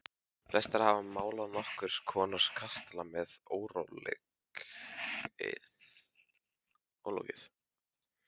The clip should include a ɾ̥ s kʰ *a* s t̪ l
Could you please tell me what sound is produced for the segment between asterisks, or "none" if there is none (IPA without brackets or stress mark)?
a